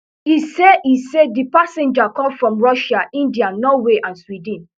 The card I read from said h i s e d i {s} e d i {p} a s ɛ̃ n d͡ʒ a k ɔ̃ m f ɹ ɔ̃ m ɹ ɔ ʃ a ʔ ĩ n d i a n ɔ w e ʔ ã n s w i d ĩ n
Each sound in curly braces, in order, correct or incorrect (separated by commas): correct, correct